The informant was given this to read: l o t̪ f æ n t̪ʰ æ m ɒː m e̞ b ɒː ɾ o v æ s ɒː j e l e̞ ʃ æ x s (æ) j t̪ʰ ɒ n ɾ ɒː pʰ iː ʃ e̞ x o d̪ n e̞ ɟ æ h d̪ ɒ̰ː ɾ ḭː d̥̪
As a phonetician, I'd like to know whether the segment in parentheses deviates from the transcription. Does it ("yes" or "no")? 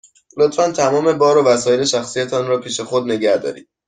yes